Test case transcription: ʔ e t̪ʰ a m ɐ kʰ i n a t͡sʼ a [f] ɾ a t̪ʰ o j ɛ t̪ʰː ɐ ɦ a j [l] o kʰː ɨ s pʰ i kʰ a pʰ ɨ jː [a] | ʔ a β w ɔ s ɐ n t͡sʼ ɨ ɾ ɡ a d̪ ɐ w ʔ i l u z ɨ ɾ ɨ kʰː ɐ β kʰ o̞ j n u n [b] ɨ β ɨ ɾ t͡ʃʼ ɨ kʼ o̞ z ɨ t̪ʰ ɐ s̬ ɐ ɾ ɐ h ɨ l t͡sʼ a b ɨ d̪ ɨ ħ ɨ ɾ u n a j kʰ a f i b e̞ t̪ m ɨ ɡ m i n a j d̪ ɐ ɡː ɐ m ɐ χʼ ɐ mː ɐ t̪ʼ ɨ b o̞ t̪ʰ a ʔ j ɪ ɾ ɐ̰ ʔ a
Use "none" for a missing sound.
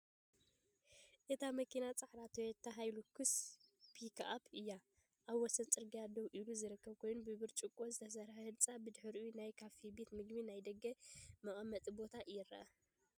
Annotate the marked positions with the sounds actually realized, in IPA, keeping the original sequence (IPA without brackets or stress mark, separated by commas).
ħ, l, a, b